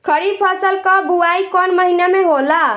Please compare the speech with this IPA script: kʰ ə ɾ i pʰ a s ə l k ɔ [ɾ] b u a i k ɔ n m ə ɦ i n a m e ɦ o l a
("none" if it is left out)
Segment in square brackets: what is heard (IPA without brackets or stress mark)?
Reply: none